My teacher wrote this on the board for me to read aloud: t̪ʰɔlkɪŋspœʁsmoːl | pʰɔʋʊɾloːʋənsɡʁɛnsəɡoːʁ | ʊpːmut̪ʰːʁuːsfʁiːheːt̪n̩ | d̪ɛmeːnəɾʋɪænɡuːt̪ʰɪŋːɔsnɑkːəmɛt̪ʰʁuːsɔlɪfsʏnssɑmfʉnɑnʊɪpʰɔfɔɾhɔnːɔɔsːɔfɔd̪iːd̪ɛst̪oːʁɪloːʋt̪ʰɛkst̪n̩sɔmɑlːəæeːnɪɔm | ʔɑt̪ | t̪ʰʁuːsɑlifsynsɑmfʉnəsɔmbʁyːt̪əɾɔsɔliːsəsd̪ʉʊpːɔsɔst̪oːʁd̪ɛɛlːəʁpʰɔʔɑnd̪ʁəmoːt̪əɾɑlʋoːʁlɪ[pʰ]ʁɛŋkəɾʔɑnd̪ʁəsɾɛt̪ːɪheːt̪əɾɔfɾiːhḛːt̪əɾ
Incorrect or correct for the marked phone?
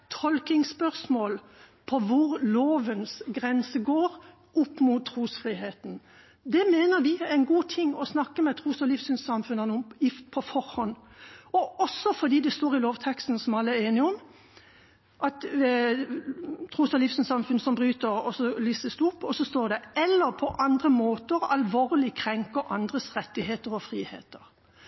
incorrect: kʰ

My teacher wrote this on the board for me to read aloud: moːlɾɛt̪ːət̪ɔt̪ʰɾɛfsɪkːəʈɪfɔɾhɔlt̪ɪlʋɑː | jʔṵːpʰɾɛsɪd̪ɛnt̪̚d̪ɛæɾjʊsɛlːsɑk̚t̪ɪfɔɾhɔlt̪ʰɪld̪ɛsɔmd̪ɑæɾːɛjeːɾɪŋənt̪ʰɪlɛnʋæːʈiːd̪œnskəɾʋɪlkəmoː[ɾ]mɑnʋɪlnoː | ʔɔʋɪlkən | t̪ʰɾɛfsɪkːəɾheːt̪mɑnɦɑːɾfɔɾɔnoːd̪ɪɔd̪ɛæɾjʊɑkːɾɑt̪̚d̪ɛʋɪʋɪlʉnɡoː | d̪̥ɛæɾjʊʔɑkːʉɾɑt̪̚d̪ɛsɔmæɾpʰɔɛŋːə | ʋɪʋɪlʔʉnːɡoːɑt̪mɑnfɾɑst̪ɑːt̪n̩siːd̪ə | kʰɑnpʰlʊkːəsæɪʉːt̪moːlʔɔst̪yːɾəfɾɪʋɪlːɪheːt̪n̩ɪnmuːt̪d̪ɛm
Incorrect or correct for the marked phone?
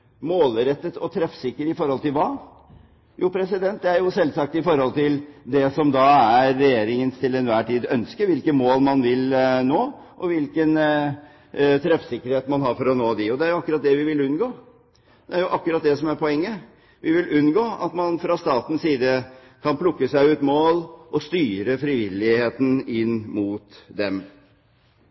incorrect: l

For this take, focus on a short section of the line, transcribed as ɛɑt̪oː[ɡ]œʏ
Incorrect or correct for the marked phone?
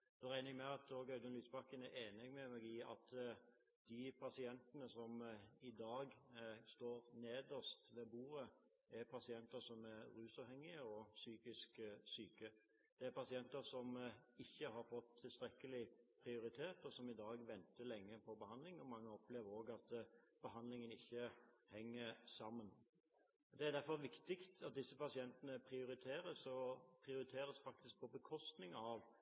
correct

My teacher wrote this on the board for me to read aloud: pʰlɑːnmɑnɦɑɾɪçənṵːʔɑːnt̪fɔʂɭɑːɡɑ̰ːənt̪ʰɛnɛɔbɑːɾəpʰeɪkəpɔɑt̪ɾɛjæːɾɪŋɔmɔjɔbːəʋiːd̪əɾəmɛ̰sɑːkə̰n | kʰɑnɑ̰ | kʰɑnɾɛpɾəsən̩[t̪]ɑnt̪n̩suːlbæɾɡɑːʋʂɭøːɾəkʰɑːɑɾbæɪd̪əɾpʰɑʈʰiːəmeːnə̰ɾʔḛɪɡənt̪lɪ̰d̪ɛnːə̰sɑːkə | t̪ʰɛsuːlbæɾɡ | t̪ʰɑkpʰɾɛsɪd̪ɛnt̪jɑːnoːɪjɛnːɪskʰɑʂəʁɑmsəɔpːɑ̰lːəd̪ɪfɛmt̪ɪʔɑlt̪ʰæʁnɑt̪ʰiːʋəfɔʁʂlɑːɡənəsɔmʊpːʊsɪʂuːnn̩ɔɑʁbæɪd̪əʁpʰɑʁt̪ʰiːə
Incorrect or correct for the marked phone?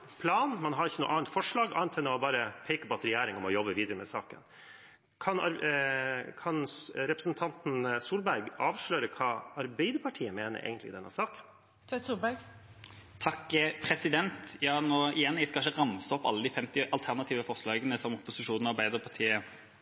incorrect: t̪ʰ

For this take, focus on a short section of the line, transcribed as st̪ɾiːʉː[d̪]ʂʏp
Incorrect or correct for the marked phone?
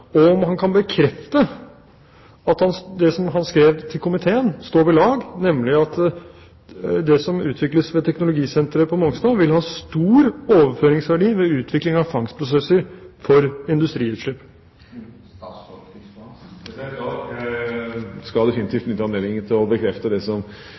incorrect: t̪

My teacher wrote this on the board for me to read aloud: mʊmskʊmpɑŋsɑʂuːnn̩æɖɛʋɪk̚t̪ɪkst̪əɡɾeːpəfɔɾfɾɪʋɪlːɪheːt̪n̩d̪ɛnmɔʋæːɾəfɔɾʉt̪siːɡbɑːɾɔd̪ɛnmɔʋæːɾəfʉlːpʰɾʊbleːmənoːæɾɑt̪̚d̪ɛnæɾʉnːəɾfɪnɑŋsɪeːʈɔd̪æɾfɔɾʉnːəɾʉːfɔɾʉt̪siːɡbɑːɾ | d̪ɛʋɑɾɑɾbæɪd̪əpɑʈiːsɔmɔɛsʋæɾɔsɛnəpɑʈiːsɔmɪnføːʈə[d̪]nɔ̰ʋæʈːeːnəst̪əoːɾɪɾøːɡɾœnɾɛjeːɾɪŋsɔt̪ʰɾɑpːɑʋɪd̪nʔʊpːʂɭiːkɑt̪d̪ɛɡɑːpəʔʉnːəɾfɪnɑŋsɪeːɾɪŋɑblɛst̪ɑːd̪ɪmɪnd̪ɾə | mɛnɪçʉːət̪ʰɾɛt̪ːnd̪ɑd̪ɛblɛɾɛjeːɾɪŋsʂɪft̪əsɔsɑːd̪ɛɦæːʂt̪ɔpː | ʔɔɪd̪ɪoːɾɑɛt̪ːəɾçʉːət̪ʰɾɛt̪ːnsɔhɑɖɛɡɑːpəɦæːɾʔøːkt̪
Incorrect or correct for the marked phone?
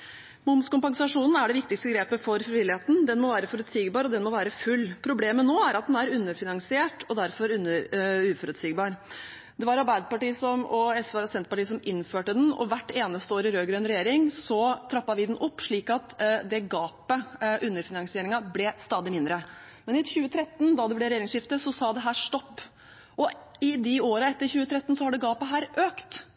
correct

